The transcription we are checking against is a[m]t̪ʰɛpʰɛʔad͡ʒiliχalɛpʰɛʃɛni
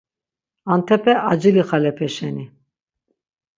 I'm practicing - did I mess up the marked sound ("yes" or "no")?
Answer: yes